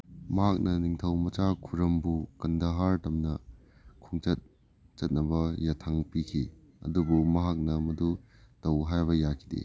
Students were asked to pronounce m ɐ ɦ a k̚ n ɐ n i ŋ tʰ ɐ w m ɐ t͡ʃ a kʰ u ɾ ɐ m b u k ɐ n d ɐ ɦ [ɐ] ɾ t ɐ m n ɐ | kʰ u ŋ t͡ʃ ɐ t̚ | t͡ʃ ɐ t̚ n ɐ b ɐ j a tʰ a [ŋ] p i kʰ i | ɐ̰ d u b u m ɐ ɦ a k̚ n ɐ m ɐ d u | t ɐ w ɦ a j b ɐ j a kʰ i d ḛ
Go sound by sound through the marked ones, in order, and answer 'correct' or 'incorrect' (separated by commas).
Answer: incorrect, correct